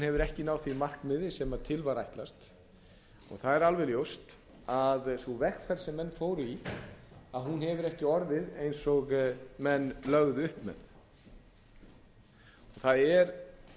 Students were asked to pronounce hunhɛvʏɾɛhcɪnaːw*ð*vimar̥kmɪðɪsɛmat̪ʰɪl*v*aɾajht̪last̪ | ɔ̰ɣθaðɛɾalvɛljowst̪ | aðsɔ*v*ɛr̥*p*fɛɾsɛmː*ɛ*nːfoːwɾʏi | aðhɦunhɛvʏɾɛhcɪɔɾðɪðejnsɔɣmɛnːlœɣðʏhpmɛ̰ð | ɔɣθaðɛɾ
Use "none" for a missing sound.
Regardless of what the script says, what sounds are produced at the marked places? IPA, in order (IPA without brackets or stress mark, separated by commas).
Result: θ, v, v, k, ɛ